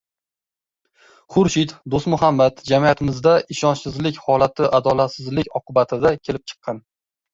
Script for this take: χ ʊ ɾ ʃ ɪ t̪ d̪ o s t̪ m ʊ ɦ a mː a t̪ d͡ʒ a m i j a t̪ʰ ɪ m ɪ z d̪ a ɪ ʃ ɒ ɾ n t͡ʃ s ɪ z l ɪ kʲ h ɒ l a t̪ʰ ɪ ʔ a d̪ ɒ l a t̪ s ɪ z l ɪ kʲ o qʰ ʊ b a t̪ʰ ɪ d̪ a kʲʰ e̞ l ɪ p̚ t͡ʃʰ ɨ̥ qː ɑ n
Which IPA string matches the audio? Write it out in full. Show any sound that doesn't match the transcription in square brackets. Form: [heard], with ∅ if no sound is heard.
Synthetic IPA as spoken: χ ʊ ɾ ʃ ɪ t̪ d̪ o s t̪ m ʊ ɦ a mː a t̪ d͡ʒ a m i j a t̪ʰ ɪ m ɪ z d̪ a ɪ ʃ ɒ [∅] n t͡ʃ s ɪ z l ɪ kʲ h ɒ l a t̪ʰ ɪ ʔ a d̪ ɒ l a t̪ s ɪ z l ɪ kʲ [ɒ] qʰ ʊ b a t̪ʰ ɪ d̪ a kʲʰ e̞ l ɪ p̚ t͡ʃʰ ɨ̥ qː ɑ n